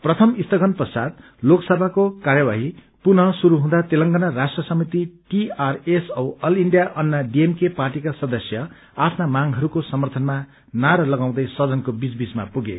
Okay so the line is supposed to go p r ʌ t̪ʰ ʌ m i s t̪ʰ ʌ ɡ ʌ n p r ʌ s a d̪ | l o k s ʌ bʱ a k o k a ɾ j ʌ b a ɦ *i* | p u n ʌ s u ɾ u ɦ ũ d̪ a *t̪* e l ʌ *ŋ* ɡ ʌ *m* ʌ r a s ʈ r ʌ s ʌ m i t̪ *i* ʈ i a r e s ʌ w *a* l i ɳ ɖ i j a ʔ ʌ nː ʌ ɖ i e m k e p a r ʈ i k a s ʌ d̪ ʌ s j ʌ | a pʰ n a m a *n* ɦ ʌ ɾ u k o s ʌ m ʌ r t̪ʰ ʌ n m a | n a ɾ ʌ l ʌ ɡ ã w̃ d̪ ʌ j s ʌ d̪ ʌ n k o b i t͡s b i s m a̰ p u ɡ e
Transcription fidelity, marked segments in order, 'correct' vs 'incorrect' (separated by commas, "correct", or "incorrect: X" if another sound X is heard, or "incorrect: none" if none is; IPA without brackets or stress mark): correct, correct, correct, incorrect: n, correct, incorrect: ʌ, incorrect: ŋ